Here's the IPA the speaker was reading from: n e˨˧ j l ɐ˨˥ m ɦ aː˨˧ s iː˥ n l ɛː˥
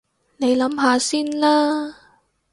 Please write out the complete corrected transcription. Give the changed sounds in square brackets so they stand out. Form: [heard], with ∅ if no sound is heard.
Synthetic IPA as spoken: n e˨˧ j l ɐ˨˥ m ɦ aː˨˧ s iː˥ n l [aː˥]

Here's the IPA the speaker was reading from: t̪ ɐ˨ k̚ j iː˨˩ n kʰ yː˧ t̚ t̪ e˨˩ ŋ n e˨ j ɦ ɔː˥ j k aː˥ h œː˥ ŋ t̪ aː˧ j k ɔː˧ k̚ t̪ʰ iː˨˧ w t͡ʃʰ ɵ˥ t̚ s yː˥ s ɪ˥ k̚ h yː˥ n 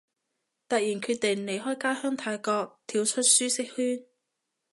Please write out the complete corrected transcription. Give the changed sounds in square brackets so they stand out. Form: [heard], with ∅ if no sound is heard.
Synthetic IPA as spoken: t̪ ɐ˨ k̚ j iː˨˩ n kʰ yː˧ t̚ t̪ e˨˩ ŋ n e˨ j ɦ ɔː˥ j k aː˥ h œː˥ ŋ [t̪ʰ] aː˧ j k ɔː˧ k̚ t̪ʰ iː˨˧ w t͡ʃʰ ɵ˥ t̚ s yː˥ s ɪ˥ k̚ h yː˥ n

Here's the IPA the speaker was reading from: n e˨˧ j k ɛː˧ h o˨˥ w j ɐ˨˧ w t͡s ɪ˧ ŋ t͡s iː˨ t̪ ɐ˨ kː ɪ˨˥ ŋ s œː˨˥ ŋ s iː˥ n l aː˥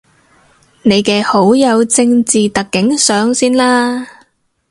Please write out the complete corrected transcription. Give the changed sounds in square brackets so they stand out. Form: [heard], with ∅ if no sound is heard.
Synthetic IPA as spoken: n e˨˧ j k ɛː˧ h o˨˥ w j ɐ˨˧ w t͡s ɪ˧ ŋ t͡s iː˨ t̪ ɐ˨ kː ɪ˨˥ ŋ s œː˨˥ ŋ s iː˥ n l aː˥

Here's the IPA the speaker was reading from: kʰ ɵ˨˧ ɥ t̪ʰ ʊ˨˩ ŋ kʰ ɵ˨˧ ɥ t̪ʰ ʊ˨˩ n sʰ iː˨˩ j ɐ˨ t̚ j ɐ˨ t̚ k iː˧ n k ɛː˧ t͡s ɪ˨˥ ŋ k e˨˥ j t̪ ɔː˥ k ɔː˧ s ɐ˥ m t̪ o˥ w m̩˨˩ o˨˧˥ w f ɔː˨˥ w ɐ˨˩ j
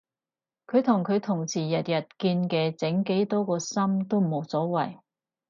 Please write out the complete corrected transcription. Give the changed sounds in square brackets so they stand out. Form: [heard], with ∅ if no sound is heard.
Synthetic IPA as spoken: kʰ ɵ˨˧ ɥ t̪ʰ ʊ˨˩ ŋ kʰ ɵ˨˧ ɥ t̪ʰ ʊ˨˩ [ŋ] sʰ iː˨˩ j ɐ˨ t̚ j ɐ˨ t̚ k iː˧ n k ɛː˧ t͡s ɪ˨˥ ŋ k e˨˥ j t̪ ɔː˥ k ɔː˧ s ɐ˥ m t̪ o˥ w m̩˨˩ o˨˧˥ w [s] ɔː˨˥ w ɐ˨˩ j

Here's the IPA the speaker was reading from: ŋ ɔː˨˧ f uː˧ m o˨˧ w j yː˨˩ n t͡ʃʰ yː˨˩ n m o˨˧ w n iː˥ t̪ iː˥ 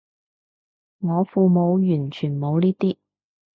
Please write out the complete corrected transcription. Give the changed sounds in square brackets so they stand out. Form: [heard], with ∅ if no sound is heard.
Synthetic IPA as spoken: ŋ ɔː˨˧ f uː˧ m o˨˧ w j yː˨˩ n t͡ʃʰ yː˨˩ n m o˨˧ w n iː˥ t̪ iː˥

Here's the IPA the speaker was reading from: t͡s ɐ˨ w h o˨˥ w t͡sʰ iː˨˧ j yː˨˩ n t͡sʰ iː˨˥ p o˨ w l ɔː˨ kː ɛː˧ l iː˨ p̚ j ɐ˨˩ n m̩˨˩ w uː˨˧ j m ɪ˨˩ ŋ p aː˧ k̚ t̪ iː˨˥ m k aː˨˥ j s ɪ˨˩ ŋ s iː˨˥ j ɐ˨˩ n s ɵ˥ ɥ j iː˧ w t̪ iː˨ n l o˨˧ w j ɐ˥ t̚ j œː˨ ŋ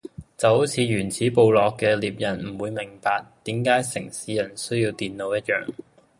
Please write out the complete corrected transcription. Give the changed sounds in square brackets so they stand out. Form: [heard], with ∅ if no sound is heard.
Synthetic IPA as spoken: t͡s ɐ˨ w h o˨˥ w t͡sʰ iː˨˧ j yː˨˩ n t͡sʰ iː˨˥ p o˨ w l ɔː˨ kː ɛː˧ l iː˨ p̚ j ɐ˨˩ n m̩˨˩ w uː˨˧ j m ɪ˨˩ ŋ p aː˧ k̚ t̪ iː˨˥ m k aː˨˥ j s ɪ˨˩ ŋ s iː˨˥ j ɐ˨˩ n s ɵ˥ ɥ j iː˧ w t̪ iː˨ n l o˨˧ w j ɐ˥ t̚ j œː˨ ŋ

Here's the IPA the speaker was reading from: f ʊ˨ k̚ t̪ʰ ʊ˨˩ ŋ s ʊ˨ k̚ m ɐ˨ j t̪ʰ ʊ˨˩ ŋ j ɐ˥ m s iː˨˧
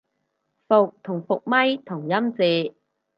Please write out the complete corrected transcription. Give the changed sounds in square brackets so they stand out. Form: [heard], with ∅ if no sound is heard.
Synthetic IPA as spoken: f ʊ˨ k̚ t̪ʰ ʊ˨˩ ŋ [f] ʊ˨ k̚ m [ɐ˥] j t̪ʰ ʊ˨˩ ŋ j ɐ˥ m [t͡s] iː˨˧

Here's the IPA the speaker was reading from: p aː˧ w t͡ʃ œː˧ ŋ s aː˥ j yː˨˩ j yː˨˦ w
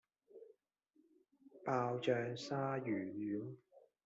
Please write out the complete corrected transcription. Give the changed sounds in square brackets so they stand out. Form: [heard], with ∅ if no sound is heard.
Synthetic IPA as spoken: p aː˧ w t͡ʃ œː˧ ŋ s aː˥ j yː˨˩ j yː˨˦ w

